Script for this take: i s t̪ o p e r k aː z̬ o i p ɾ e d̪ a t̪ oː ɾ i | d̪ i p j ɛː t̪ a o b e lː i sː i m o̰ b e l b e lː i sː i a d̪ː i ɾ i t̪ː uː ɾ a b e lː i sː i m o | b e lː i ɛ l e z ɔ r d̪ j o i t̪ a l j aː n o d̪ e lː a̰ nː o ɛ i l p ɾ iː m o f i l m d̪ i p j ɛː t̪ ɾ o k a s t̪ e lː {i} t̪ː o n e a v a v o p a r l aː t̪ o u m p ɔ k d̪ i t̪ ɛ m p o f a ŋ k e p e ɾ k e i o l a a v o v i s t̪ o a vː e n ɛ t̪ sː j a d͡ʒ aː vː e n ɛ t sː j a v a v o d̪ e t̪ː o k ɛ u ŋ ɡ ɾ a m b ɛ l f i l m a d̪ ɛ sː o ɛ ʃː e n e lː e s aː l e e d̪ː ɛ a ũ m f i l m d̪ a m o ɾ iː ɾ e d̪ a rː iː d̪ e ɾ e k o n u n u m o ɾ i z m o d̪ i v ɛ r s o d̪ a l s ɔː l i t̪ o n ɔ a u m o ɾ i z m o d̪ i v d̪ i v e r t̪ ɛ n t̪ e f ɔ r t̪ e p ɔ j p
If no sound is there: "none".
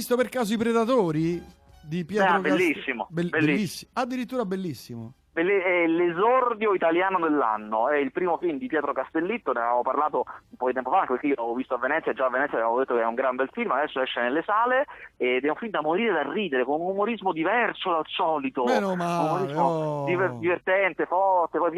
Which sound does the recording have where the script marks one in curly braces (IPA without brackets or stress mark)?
i